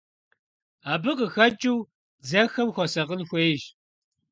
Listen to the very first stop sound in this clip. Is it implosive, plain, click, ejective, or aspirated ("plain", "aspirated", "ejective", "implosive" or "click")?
plain